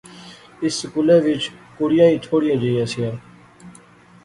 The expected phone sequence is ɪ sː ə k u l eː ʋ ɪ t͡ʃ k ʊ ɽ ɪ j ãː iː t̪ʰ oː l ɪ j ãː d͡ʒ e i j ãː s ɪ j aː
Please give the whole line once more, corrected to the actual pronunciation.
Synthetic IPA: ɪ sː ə k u l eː ʋ ɪ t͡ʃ k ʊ ɽ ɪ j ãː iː t̪ʰ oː ɽ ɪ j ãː d͡ʒ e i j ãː s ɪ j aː